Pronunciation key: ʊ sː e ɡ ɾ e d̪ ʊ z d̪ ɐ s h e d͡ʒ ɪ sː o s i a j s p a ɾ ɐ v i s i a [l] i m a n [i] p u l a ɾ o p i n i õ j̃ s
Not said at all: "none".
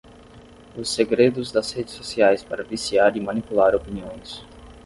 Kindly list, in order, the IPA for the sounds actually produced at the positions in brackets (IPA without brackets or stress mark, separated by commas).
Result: ɾ, i